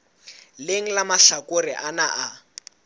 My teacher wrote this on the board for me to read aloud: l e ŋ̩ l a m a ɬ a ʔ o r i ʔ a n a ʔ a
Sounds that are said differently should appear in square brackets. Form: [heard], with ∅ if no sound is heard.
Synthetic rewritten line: l e ŋ̩ l a m a ɬ a [k] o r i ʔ a n a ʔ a